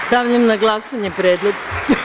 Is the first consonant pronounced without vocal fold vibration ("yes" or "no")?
yes